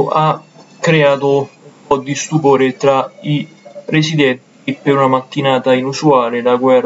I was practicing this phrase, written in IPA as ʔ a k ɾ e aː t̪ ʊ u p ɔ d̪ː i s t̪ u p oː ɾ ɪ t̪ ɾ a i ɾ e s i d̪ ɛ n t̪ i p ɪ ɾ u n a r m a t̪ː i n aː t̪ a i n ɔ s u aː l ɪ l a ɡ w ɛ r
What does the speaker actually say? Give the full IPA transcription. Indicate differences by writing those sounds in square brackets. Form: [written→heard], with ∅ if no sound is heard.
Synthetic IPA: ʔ a k ɾ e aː t̪ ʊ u p ɔ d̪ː i s t̪ u p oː ɾ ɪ t̪ ɾ a i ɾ e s i d̪ ɛ n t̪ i p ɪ ɾ u n a [r→∅] m a t̪ː i n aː t̪ a i n [ɔ→u] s u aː l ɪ l a ɡ w ɛ r